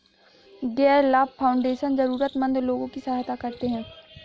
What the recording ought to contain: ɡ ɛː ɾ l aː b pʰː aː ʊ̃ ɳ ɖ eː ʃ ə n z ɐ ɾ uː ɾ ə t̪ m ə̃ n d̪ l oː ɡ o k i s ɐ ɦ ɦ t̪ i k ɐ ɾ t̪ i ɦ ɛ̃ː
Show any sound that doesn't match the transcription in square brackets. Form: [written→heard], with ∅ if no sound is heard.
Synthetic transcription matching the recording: ɡ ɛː ɾ l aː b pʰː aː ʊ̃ ɳ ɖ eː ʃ ə n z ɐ ɾ uː ɾ ə t̪ m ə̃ n d̪ l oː ɡ [o→õ] k i s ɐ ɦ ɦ t̪ [i→a] k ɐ ɾ t̪ [i→e] ɦ ɛ̃ː